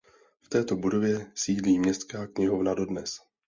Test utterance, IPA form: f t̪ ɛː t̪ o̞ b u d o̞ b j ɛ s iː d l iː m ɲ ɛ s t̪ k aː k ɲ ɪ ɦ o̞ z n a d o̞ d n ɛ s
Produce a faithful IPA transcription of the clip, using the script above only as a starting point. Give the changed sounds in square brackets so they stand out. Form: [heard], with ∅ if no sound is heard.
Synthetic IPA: f t̪ ɛː t̪ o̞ b u d o̞ [v] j ɛ s iː d l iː m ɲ ɛ s t̪ k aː k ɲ ɪ ɦ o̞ [v] n a d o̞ d n ɛ s